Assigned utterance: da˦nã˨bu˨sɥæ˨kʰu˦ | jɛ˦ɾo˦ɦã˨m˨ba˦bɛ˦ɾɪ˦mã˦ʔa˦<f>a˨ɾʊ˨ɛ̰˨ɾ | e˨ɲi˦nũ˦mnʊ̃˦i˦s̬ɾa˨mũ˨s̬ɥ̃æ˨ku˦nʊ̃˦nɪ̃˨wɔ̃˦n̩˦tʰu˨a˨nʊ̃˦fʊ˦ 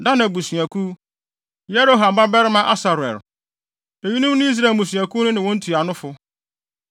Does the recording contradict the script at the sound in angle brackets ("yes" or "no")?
yes